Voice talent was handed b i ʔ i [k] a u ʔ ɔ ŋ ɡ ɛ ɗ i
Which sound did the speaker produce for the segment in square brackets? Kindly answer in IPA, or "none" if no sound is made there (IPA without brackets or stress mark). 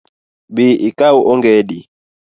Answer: k